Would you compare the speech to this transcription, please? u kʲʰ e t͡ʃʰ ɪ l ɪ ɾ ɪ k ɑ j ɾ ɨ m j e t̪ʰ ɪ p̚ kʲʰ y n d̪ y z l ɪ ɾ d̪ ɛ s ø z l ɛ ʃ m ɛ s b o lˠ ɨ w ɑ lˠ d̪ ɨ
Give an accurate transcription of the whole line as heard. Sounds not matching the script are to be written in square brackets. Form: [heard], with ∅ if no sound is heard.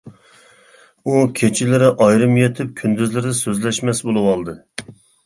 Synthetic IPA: u kʲʰ e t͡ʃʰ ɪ l ɪ ɾ ɪ [ʔ] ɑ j ɾ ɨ m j e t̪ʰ ɪ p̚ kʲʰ y n d̪ y z l ɪ ɾ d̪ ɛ s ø z l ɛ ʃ m ɛ s b o lˠ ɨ w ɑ lˠ d̪ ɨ